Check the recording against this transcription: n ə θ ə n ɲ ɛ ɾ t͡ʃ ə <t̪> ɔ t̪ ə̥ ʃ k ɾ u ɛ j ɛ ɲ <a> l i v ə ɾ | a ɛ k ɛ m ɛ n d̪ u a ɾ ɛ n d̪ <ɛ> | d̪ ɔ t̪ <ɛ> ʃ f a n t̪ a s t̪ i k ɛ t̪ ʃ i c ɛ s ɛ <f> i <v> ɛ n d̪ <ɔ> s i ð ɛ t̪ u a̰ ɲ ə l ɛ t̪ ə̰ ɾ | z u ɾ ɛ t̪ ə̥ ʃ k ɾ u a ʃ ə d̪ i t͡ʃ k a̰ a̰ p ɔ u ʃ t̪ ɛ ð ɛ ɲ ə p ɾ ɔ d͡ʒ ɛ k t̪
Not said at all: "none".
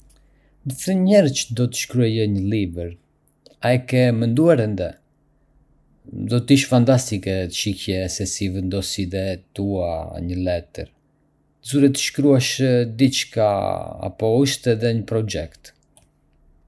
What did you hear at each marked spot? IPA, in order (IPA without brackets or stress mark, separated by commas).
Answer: d̪, ə, ɛ, i, s, v, ɔ